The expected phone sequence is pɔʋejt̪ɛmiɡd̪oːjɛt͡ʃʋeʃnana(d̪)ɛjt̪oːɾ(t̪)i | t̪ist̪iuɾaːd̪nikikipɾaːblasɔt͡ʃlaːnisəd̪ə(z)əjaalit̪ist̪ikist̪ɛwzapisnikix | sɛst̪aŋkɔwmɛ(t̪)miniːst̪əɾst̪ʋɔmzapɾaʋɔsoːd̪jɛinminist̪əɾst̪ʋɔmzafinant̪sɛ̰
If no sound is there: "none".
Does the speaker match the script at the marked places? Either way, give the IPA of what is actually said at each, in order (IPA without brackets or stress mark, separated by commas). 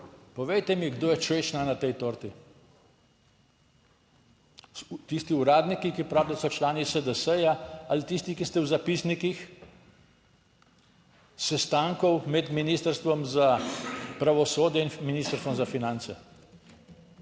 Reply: t̪, t̪, s, d̪